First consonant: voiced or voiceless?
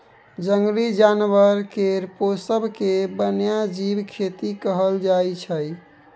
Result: voiced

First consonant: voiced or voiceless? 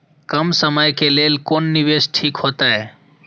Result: voiceless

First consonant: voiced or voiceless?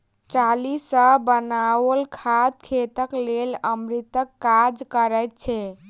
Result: voiceless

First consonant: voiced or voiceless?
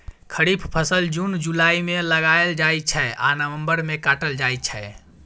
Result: voiceless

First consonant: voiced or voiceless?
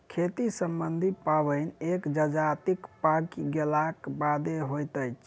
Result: voiceless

